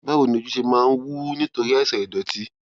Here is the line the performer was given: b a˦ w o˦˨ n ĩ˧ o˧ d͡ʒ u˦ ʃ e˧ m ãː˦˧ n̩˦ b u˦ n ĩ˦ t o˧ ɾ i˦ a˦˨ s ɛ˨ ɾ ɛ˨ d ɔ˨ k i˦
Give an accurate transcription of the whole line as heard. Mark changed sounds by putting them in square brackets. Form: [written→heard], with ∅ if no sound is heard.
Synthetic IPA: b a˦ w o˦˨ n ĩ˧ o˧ d͡ʒ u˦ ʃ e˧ m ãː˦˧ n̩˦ [b→w] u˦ n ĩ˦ t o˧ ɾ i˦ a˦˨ s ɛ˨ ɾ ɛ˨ d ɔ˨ [k→t] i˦